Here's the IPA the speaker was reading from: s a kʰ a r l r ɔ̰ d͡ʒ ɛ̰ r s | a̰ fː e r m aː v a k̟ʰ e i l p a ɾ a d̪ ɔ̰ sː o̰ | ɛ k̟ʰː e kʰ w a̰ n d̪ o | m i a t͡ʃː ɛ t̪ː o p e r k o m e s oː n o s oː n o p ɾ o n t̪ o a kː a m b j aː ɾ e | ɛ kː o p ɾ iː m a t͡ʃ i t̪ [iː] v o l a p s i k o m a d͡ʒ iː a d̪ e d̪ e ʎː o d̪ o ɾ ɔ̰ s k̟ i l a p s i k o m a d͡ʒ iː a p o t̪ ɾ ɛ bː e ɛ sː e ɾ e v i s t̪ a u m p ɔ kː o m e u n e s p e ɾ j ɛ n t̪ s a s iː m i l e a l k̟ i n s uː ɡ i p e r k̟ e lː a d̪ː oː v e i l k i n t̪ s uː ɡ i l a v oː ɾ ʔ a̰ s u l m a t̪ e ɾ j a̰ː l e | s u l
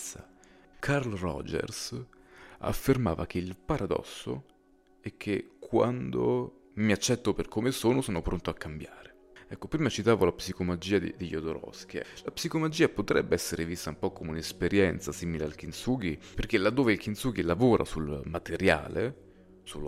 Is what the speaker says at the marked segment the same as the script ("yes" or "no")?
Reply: no